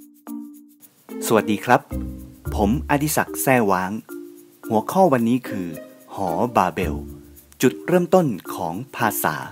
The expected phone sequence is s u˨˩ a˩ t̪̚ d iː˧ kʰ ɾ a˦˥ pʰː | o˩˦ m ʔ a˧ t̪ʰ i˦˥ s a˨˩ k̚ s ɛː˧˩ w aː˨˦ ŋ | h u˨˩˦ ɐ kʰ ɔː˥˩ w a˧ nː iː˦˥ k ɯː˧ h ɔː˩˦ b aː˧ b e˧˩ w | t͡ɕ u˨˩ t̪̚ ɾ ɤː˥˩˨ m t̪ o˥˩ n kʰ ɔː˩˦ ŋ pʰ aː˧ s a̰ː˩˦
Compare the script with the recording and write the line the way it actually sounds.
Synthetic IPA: s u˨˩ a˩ t̪̚ d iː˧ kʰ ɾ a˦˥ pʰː | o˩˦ m ʔ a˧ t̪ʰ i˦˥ s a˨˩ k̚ s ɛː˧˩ w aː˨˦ ŋ | h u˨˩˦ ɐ kʰ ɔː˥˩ w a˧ nː iː˦˥ kʰ ɯː˧ h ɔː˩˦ b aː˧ b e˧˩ w | t͡ɕ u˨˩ t̪̚ ɾ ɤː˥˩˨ m t̪ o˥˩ n kʰ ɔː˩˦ ŋ pʰ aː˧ s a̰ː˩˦

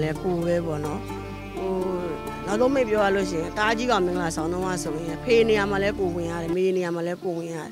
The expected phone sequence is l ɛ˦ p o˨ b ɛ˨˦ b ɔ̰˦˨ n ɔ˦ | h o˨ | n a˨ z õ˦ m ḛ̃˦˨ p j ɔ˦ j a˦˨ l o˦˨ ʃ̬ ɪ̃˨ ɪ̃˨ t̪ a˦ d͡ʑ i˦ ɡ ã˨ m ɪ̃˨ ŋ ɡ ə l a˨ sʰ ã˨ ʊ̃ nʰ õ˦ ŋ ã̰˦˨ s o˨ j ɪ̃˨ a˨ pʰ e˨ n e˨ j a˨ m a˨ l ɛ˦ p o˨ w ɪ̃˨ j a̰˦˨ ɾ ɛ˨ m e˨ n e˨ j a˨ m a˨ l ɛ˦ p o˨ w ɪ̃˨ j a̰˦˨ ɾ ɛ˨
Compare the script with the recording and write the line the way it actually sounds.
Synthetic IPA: l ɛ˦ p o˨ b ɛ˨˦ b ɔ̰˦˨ n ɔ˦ | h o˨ | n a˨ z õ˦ m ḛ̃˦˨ p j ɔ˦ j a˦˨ l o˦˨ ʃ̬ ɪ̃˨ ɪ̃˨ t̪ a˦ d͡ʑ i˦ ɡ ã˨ m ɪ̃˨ ŋ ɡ ə l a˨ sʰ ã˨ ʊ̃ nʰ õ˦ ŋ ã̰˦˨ s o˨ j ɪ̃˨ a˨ pʰ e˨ n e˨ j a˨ m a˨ l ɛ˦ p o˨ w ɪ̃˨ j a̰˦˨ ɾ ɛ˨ m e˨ n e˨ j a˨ m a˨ l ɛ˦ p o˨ w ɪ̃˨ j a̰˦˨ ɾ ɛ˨

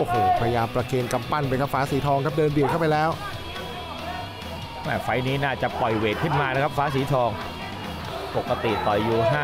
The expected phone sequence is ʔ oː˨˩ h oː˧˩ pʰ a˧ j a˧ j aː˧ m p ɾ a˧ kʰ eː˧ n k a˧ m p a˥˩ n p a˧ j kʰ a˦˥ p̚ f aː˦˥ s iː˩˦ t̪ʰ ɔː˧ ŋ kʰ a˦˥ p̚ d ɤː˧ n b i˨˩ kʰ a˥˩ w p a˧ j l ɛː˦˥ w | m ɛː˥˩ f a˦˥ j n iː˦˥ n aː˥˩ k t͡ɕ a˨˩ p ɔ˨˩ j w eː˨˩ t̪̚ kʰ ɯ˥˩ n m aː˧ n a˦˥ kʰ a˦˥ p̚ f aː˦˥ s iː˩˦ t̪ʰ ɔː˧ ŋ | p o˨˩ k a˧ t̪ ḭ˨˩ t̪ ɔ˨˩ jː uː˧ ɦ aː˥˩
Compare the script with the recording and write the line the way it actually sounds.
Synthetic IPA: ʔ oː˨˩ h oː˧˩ pʰ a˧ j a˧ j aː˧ m p ɾ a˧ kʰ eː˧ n k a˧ m p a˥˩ n p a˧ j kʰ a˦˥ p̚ f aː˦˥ s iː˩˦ t̪ʰ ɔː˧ ŋ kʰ a˦˥ p̚ d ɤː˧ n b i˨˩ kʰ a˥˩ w p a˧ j l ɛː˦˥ w | m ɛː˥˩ f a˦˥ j n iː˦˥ n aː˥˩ t͡ɕ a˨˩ p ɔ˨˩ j w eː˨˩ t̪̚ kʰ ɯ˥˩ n m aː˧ n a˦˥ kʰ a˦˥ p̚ f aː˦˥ s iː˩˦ t̪ʰ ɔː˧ ŋ | p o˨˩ k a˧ t̪ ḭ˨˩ t̪ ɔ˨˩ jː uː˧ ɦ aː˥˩

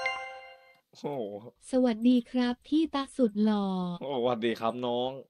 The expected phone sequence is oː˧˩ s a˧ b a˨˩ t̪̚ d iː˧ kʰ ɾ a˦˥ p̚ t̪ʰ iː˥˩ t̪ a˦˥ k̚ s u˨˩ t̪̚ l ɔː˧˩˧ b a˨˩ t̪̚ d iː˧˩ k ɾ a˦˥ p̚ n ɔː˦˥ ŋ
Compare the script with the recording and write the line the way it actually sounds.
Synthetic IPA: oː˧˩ s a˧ w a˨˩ t̪̚ d iː˧ kʰ ɾ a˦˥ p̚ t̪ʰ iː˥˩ t̪ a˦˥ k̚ s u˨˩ t̪̚ l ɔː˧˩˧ w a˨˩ t̪̚ d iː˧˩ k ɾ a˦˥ p̚ n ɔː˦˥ ŋ

